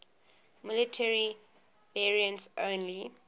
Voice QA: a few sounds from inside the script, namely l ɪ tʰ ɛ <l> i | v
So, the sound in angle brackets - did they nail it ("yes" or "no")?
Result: no